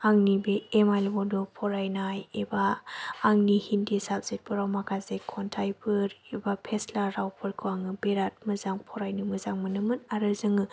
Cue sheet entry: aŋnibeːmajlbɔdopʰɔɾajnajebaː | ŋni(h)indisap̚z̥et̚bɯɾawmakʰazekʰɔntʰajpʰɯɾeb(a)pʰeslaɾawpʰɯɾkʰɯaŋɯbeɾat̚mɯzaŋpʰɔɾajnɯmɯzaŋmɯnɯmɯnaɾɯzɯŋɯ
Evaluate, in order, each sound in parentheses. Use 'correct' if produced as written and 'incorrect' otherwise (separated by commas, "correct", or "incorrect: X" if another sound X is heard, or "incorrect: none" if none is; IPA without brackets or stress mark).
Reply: correct, correct